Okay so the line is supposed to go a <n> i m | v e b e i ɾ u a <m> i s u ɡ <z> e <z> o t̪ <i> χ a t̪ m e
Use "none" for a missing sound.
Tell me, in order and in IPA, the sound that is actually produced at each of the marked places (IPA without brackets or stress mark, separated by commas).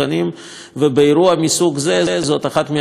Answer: n, m, z, z, a